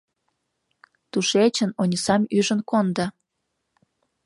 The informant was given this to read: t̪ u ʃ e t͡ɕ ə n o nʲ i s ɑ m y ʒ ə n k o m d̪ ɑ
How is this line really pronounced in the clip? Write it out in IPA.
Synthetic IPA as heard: t̪ u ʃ e t͡ɕ ə n o nʲ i s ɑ m y ʒ ə n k o n d̪ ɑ